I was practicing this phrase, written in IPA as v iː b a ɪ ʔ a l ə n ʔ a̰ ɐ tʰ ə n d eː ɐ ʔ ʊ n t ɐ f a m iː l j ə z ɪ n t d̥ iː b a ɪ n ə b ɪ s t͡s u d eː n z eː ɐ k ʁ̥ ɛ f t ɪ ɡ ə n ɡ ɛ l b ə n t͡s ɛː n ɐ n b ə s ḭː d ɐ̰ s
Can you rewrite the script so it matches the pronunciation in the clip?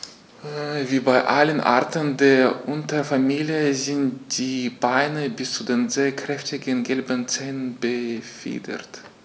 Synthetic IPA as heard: v iː b a ɪ ʔ a l ə n ʔ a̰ ɐ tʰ ə n d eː ɐ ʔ ʊ n t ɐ f a m iː l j ə z ɪ n t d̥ iː b a ɪ n ə b ɪ s t͡s u d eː n z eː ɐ k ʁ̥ ɛ f t ɪ ɡ ə n ɡ ɛ l b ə n t͡s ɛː n ə n b ə f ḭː d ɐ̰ t